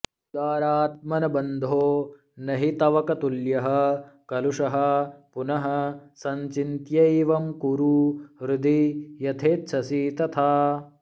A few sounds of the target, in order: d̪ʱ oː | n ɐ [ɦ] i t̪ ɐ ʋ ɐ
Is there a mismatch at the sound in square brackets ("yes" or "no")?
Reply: no